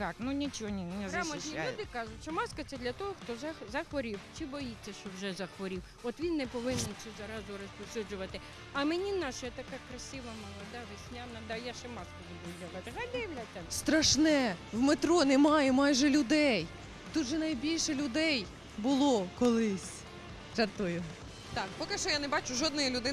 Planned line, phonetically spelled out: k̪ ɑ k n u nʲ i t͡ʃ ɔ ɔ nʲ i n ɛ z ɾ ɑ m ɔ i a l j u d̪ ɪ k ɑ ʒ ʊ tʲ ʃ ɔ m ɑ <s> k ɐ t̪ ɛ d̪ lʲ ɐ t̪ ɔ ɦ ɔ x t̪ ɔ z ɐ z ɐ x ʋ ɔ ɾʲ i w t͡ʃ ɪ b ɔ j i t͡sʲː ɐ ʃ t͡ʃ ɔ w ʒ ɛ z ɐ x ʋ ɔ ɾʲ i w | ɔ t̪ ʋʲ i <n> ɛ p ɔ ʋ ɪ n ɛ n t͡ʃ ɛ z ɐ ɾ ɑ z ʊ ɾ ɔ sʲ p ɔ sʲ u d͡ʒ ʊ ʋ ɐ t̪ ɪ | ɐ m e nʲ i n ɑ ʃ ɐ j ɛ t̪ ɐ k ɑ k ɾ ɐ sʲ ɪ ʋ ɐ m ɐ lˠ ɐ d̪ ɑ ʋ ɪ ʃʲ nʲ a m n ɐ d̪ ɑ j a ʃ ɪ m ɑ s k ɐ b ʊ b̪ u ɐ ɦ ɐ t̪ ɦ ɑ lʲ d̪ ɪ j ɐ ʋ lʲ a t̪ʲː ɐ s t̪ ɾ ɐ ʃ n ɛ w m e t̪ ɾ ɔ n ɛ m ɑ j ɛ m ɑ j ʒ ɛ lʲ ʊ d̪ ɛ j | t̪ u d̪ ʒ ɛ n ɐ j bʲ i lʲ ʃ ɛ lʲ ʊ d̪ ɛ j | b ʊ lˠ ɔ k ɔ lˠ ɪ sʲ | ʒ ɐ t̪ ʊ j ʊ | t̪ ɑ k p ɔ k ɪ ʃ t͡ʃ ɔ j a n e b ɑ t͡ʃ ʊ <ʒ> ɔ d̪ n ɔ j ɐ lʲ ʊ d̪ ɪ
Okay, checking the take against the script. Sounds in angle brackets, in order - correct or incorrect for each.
correct, incorrect: nː, correct

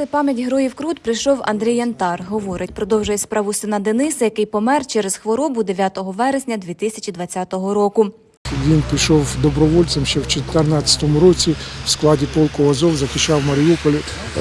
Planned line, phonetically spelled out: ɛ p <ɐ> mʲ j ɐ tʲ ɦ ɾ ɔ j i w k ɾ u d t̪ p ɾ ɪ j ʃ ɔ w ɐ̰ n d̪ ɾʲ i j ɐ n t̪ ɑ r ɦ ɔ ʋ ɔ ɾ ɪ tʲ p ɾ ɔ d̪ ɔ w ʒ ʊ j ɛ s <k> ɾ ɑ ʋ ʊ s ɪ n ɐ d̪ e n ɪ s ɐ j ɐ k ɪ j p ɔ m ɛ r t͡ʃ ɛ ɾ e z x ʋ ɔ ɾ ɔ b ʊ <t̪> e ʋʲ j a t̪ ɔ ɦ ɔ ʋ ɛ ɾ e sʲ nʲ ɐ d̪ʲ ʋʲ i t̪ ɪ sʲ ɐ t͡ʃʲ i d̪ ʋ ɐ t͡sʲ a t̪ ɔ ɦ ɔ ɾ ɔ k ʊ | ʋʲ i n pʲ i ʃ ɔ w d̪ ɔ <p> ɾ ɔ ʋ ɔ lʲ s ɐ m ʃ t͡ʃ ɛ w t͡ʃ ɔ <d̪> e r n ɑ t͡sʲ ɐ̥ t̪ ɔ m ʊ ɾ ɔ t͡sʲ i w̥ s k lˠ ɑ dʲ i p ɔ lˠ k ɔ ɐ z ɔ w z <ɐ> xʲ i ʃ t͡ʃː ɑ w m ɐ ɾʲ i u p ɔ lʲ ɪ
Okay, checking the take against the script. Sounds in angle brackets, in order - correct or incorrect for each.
incorrect: ɑ, incorrect: p, incorrect: d̪, incorrect: b, incorrect: t̪, correct

